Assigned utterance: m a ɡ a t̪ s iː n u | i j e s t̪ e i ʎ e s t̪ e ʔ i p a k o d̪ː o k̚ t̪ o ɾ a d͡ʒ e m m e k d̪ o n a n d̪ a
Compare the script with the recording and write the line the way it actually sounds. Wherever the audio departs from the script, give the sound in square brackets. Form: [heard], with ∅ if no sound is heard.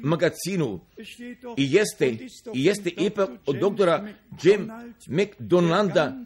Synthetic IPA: m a ɡ a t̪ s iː n u | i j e s t̪ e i [j] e s t̪ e ʔ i p a k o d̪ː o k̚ t̪ o ɾ a d͡ʒ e m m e k d̪ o n a n d̪ a